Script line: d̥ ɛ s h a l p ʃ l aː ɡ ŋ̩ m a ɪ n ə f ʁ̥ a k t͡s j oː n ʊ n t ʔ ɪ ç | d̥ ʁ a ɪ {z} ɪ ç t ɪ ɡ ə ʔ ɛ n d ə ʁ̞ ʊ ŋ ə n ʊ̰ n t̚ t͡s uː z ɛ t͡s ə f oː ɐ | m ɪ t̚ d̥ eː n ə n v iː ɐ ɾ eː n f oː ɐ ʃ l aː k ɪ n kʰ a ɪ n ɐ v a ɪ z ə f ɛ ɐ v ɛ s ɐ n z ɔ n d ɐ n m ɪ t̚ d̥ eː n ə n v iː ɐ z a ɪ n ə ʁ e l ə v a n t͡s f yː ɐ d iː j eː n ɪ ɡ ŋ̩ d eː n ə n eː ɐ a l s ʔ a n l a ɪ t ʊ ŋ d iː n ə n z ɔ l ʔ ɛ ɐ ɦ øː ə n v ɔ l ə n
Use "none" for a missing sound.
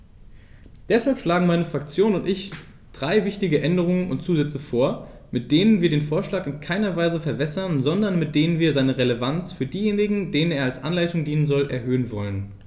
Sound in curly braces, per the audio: v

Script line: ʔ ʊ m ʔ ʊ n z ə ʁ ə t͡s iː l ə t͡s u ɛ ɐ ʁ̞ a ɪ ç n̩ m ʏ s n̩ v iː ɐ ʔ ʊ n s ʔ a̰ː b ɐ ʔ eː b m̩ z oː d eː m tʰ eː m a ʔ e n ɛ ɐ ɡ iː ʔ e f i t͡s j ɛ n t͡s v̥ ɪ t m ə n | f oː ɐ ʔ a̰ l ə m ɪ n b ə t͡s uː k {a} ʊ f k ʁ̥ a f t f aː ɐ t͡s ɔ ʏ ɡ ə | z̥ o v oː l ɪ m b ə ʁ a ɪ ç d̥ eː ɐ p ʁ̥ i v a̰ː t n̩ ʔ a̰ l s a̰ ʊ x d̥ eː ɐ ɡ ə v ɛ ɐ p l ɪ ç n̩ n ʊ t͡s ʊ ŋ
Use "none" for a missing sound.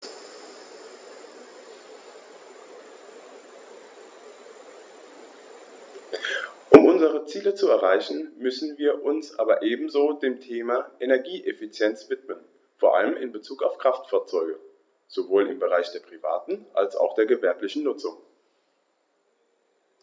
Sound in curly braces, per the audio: a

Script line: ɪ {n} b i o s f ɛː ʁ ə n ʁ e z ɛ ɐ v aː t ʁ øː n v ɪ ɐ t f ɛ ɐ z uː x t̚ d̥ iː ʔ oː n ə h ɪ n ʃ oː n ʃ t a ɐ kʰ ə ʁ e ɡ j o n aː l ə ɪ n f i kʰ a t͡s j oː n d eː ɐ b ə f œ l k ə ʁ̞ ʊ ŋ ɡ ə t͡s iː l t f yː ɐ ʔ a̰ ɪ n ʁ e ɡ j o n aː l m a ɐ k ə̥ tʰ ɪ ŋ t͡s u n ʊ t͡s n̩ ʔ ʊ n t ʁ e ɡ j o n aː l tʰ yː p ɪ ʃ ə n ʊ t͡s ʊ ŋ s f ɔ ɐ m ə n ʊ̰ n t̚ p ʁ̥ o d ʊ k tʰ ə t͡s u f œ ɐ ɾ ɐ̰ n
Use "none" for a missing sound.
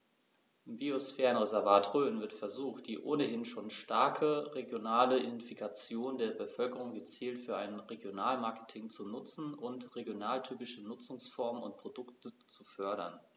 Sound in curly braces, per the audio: m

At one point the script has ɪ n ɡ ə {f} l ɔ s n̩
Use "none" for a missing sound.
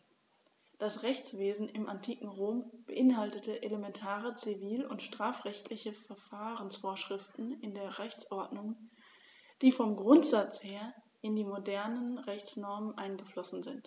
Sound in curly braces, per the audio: f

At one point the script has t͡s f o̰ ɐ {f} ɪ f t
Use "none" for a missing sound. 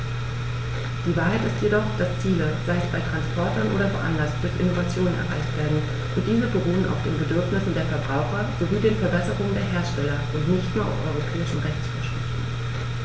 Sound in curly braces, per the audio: ʃ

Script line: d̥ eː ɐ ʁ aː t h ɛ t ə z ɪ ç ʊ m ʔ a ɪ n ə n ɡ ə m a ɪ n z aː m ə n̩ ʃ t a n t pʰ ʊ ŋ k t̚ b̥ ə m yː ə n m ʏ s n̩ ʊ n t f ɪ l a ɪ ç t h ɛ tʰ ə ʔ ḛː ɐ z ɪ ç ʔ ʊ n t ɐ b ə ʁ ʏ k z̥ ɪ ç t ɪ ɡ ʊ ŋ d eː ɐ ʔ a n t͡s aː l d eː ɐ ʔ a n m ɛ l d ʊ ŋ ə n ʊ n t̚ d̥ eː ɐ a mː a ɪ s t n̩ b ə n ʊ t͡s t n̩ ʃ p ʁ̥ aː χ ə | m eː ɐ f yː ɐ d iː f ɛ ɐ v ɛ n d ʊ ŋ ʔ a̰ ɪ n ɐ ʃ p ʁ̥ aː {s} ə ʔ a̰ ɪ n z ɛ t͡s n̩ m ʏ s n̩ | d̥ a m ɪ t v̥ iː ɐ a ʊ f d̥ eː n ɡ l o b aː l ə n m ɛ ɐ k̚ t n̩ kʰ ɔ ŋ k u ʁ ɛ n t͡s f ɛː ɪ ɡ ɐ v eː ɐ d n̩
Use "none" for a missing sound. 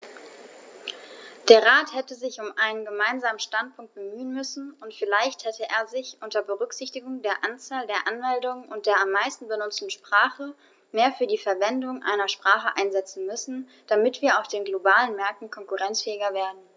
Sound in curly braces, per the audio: χ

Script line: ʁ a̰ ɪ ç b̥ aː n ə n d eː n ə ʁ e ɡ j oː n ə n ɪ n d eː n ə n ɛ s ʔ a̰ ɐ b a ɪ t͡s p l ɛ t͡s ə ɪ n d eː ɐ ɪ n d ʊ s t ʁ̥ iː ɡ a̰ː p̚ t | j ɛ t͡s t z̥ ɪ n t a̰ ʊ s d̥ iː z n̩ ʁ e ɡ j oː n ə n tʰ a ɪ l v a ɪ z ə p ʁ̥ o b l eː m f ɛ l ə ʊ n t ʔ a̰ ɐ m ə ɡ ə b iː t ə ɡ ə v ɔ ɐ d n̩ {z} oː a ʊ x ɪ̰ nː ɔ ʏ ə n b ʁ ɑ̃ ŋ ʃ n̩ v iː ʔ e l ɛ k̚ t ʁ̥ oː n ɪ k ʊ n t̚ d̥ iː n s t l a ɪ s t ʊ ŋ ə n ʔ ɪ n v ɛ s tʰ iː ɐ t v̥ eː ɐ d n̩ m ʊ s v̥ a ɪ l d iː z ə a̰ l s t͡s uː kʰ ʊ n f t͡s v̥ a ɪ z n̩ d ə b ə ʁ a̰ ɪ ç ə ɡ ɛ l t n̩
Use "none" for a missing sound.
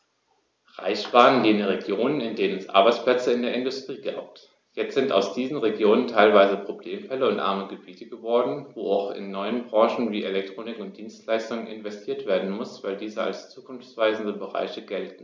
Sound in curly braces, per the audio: v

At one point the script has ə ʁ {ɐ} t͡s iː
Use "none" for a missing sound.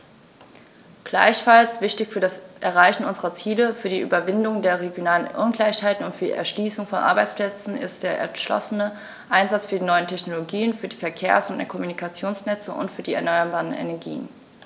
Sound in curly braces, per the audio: ɐ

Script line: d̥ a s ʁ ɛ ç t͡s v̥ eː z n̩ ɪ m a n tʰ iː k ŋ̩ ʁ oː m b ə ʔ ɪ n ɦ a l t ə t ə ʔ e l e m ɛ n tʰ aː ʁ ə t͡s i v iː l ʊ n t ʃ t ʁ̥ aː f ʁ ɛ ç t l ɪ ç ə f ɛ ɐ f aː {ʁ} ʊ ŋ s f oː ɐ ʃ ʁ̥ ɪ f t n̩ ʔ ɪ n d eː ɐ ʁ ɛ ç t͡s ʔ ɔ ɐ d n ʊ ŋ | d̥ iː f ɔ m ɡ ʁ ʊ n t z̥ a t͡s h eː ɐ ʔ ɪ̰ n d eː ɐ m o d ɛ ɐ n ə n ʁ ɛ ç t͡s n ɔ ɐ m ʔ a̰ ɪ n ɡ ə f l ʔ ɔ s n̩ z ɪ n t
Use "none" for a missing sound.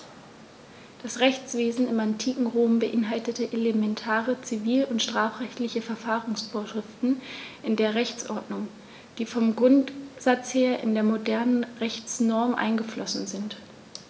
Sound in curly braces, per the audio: ʁ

